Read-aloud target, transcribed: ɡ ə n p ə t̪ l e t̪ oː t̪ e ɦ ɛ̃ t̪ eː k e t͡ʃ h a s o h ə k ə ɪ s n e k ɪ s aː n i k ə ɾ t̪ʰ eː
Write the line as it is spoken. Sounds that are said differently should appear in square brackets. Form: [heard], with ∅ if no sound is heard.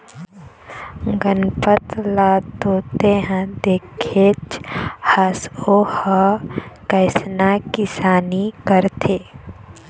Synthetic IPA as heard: ɡ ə n p ə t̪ l [a] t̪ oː t̪ e ɦ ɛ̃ [d̪] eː [kʰ] e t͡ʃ h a s o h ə k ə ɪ s n [a] k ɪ s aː n i k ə ɾ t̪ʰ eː